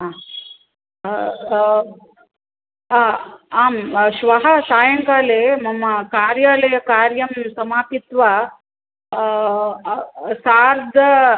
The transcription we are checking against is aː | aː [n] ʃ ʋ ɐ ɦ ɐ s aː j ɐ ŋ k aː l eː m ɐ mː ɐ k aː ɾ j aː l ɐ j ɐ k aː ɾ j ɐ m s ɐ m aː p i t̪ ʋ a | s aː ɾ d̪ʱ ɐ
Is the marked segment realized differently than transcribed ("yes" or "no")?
yes